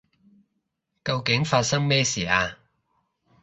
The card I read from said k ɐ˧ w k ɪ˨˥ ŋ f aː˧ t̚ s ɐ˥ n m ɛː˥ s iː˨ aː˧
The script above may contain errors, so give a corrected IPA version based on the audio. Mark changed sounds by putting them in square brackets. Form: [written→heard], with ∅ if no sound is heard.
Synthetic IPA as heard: k ɐ˧ w k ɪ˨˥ ŋ f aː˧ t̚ s ɐ˥ [n→ŋ] m ɛː˥ s iː˨ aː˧